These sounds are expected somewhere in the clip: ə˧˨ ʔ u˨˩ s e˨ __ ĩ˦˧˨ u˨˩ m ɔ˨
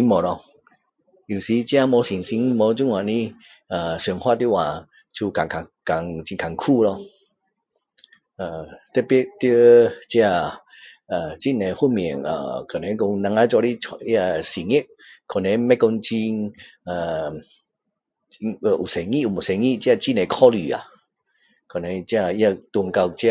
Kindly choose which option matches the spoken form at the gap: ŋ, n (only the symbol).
ŋ